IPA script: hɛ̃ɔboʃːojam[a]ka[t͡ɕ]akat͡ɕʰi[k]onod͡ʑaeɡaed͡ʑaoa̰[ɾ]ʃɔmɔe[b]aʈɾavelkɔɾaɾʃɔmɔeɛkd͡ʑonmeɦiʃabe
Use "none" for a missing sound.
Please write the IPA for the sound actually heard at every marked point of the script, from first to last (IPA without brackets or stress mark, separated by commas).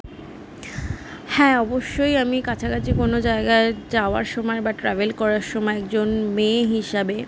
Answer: i, t͡ɕʰ, k, ɾ, b